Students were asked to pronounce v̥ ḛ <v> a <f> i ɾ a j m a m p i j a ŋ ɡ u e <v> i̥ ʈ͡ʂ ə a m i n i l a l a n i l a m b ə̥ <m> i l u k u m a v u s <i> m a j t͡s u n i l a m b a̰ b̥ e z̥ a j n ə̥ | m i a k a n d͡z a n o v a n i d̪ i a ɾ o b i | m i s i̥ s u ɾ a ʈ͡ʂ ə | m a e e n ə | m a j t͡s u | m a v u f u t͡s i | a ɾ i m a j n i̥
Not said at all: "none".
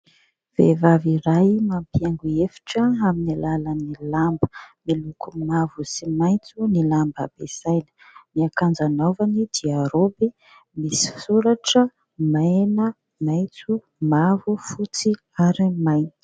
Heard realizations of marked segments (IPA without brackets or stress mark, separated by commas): v, v, f, m, i